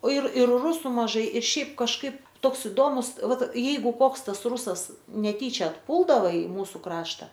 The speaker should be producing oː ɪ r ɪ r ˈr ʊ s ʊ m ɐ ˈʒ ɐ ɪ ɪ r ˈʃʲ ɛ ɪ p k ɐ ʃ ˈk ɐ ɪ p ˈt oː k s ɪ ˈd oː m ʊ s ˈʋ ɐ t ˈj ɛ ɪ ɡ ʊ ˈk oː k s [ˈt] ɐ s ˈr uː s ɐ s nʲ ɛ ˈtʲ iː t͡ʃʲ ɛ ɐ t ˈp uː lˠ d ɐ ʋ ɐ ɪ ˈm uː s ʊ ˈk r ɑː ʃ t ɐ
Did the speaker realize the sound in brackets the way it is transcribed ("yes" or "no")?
yes